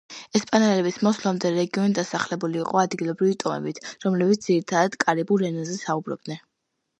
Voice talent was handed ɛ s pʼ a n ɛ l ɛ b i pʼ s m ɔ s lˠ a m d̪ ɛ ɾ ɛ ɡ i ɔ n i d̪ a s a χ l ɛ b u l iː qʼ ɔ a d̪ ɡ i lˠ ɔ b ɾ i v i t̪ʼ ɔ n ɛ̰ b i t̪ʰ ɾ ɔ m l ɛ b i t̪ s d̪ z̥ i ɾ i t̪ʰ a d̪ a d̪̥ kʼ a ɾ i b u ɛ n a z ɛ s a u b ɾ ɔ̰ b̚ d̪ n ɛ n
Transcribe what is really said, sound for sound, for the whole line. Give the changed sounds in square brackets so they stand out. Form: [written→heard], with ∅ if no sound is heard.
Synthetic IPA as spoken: ɛ s pʼ a n ɛ l ɛ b i [pʼ→∅] s m ɔ s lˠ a m d̪ ɛ ɾ ɛ ɡ i ɔ n i d̪ a s a χ l ɛ b u l iː qʼ ɔ a d̪ ɡ i lˠ ɔ b ɾ i v i t̪ʼ ɔ [n→m] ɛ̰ b i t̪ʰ ɾ ɔ m l ɛ b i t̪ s d̪ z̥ i ɾ i t̪ʰ a d̪ a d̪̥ kʼ a ɾ i b u ɛ n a z ɛ s a u b ɾ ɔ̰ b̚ d̪ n ɛ n